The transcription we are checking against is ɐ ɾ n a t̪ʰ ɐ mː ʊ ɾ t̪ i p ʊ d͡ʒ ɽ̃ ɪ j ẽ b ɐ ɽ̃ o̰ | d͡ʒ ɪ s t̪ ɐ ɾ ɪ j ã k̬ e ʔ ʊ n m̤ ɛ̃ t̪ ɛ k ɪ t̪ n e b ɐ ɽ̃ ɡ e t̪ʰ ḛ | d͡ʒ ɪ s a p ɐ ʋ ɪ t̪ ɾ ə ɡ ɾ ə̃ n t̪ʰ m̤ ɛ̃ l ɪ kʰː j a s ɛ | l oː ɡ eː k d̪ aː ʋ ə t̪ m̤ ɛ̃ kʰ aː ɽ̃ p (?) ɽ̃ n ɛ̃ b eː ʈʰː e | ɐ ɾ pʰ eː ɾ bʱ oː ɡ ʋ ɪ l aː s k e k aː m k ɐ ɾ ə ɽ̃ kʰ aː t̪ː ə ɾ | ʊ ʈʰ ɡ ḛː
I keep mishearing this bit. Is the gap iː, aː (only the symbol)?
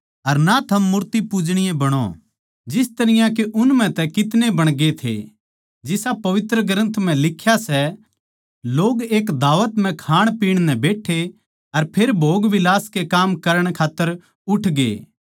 iː